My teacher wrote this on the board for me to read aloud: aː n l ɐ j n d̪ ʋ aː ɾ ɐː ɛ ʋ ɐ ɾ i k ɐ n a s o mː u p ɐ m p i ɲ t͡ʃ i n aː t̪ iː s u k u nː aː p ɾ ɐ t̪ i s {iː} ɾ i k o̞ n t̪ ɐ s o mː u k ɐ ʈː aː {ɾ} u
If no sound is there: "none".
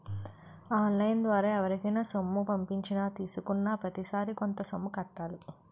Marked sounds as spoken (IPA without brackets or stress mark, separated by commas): aː, l